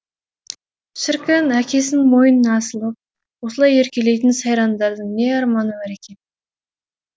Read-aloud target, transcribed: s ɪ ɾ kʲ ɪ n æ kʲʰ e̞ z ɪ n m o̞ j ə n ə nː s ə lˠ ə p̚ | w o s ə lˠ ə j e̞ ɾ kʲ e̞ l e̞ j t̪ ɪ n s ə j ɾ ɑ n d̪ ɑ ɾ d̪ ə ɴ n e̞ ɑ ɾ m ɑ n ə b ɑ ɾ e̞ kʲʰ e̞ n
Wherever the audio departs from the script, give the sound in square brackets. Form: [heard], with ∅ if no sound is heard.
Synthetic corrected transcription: [ʃ] ɪ ɾ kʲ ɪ n æ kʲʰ e̞ [s] ɪ n m o̞ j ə n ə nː s ə lˠ ə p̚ | w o s ə lˠ [ɑ] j e̞ ɾ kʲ e̞ l e̞ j t̪ ɪ n s [ɑ] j ɾ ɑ n d̪ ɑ ɾ d̪ ə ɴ n e̞ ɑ ɾ m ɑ n ə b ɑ ɾ e̞ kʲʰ e̞ n